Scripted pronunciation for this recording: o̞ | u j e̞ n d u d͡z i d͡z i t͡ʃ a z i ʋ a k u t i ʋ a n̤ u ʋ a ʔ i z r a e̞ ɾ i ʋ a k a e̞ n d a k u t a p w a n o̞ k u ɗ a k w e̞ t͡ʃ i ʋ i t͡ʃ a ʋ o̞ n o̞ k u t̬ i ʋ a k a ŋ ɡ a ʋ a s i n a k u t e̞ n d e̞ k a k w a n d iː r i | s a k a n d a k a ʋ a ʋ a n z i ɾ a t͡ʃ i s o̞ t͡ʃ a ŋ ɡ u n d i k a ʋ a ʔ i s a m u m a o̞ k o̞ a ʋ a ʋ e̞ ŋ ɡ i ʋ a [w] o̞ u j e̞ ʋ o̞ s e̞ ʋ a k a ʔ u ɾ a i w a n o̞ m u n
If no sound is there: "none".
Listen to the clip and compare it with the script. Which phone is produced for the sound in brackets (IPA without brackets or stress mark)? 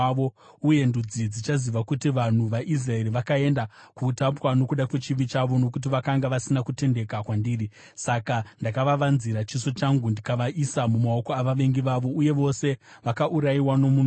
ʋ